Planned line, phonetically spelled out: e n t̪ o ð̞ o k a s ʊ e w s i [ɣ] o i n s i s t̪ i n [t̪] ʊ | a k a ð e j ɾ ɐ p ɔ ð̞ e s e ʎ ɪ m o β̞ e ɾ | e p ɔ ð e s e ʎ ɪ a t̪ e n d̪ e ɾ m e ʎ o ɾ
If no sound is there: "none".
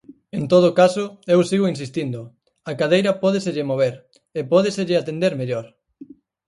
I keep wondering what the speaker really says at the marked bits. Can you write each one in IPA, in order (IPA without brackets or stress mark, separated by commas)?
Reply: ɣ, d̪